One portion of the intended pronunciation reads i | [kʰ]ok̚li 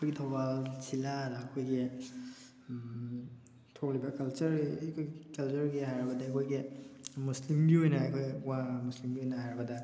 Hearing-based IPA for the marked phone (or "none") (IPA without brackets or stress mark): tʰ